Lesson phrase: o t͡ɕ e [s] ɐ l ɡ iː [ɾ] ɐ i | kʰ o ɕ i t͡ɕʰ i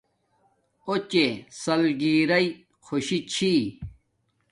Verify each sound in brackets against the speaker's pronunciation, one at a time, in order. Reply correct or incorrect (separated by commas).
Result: correct, correct